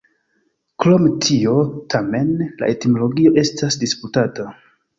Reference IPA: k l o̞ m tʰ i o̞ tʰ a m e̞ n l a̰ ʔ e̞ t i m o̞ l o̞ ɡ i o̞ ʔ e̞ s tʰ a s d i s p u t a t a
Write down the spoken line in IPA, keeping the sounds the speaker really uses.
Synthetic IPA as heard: k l o̞ m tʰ i o̞ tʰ a m e̞ n l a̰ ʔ e̞ t i m o̞ l o̞ ɡ i o̞ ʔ e̞ s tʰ a s d i s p u t a t a